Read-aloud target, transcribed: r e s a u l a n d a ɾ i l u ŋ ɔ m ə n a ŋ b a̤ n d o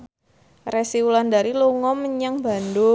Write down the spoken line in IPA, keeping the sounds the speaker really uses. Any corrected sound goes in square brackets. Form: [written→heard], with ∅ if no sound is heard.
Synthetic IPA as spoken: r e s [a→i] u l a n d a ɾ i l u ŋ ɔ m ə [n→ɲ] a ŋ b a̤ n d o